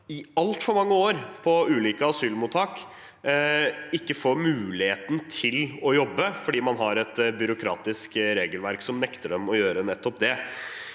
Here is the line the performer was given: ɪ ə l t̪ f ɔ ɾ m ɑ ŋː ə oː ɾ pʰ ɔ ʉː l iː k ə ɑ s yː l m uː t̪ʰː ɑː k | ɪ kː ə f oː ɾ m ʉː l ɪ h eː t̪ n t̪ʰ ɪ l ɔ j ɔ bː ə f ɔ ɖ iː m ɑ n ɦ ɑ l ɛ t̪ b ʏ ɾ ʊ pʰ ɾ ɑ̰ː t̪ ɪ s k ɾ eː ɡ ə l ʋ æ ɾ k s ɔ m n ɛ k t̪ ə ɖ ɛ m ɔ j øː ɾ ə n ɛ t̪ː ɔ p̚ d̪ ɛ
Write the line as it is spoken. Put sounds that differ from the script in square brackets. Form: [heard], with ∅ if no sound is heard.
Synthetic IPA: ɪ [ɑ] l t̪ f ɔ ɾ m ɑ ŋː ə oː ɾ pʰ ɔ ʉː l iː k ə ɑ s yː l m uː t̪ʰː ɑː k | ɪ kː ə f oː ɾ m ʉː l ɪ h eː t̪ n t̪ʰ ɪ l ɔ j ɔ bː ə f ɔ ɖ iː m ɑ n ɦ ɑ [ɾ] ɛ t̪ b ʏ ɾ ʊ [kʰ] ɾ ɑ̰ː t̪ ɪ s k ɾ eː ɡ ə l ʋ æ ɾ k s ɔ m n ɛ k t̪ ə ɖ ɛ m ɔ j øː ɾ ə n ɛ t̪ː ɔ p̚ d̪ ɛ